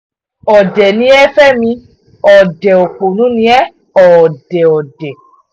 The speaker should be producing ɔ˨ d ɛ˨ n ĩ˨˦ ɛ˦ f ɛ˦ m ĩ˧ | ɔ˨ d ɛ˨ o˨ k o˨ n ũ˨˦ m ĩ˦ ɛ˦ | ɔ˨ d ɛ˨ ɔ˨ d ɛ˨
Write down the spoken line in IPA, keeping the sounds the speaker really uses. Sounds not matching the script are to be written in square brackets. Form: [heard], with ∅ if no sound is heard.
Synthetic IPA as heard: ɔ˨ d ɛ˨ n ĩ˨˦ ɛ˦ f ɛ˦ m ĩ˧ | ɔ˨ d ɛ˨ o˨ [k͡p] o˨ n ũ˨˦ [n] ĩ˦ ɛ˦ | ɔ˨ d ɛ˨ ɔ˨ d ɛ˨